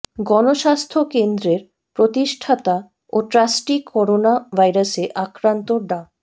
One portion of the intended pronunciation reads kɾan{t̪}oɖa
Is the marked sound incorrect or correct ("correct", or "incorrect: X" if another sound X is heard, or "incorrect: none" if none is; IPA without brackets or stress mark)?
correct